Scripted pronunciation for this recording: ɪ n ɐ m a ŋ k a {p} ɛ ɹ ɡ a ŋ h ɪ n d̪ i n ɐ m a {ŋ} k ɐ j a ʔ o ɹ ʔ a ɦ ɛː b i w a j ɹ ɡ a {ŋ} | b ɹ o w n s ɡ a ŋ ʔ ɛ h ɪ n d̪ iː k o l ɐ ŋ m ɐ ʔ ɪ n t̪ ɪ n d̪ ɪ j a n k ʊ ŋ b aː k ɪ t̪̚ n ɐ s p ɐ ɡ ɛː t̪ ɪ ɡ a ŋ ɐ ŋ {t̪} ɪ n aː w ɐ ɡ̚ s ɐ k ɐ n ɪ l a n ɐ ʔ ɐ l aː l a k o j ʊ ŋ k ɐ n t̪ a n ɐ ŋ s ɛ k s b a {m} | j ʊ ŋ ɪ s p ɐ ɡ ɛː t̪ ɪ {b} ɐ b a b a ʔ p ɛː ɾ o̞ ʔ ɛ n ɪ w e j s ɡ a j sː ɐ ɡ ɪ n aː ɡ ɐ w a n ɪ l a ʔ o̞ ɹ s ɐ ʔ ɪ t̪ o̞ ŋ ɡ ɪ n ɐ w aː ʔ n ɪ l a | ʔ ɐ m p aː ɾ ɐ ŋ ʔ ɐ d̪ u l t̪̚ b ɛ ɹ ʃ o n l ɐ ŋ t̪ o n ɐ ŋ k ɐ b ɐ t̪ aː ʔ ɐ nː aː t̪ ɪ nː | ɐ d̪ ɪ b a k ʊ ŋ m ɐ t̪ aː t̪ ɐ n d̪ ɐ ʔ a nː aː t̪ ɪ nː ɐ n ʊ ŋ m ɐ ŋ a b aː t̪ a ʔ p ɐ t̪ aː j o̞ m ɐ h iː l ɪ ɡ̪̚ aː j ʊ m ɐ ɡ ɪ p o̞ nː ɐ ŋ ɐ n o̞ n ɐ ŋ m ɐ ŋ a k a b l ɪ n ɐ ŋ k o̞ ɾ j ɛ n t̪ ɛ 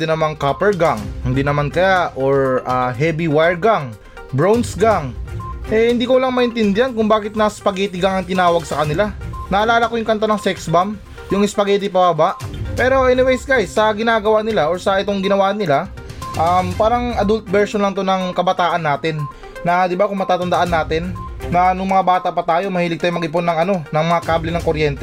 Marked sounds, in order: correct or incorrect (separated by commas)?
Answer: correct, incorrect, correct, correct, correct, incorrect